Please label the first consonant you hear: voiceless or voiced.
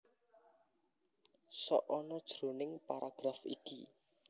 voiceless